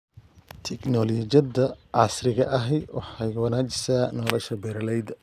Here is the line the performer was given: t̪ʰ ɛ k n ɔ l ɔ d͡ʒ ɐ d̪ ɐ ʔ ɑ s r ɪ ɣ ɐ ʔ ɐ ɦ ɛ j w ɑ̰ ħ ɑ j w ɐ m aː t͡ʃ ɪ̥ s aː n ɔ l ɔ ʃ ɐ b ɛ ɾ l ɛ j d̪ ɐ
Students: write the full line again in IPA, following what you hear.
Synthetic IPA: t̪ʰ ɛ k n ɔ l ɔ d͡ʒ ɐ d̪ ɐ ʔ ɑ s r ɪ ɣ ɐ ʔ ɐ ɦ ɛ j w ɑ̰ ħ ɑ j w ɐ n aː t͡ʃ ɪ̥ s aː n ɔ l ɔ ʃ ɐ b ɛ ɾ l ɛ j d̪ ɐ